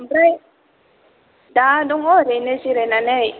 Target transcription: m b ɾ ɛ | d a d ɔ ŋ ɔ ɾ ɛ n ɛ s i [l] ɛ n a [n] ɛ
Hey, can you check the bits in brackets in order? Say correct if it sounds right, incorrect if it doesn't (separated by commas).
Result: incorrect, correct